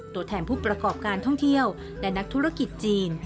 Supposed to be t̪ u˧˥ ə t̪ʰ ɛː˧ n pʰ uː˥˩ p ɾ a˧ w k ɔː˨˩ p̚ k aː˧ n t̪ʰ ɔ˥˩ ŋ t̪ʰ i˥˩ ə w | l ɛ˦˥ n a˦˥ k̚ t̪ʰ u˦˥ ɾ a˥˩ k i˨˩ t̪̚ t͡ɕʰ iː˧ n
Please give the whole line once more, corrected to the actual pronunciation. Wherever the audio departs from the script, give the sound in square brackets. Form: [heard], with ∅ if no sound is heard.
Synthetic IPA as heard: t̪ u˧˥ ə t̪ʰ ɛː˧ n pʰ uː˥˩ p ɾ a˧ [∅] k ɔː˨˩ p̚ k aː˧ n t̪ʰ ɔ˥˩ ŋ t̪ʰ i˥˩ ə w | l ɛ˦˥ n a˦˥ k̚ t̪ʰ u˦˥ ɾ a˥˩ k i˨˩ t̪̚ [t͡ɕ] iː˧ n